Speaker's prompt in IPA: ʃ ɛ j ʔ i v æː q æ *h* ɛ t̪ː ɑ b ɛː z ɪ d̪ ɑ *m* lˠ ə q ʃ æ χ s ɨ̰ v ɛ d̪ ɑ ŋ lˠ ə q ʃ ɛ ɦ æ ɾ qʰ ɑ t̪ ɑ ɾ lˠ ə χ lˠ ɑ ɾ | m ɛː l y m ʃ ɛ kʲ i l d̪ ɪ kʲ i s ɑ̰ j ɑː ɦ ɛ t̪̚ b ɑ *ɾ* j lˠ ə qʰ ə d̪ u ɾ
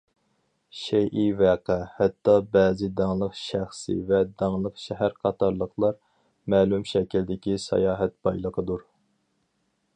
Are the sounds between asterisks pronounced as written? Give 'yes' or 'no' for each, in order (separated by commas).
yes, no, no